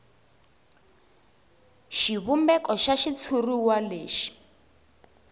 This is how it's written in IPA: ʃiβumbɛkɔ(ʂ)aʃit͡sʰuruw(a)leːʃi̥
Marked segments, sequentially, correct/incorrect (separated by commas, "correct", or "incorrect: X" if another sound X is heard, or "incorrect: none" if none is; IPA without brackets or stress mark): incorrect: ʃ, correct